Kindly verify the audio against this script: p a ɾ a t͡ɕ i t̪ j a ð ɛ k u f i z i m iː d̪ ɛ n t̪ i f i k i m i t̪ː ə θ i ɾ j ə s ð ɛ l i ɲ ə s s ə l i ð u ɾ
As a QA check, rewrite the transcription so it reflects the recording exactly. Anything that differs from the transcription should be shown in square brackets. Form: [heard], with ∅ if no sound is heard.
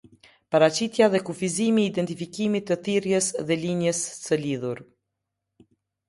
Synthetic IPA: p a ɾ a t͡ɕ i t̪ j a ð ɛ k u f i z i m iː d̪ ɛ n t̪ i f i k i m i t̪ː ə θ i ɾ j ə s ð ɛ l i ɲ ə s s ə l i ð u ɾ